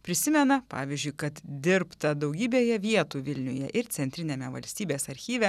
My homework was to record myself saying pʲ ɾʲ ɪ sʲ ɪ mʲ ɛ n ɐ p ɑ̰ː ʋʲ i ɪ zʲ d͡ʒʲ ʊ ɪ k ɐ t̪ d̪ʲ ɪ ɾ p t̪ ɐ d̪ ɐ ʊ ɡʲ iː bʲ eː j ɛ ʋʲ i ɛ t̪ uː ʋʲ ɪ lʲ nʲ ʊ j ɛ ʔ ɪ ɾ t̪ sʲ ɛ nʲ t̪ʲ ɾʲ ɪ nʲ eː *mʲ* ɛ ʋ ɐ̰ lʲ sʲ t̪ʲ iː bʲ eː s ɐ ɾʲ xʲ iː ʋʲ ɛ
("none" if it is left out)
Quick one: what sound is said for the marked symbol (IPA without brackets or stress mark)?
mʲ